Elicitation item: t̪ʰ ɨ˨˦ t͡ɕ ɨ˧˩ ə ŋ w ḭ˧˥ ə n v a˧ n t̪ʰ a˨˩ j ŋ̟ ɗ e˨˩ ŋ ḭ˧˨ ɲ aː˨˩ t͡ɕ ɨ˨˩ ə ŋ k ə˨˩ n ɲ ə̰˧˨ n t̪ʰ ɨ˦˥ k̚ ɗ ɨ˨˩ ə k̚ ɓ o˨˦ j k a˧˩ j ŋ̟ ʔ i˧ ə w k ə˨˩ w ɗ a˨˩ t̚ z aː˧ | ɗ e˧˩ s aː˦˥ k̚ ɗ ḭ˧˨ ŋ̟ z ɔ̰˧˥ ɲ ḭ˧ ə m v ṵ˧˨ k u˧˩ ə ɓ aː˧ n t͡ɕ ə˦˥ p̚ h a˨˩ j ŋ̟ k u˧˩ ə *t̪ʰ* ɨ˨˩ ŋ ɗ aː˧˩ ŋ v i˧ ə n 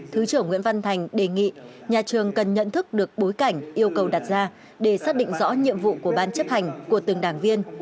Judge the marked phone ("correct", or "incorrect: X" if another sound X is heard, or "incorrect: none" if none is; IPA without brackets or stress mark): incorrect: t̪